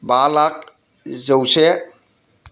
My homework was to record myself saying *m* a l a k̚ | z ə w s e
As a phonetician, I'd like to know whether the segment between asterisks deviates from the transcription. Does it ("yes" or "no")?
yes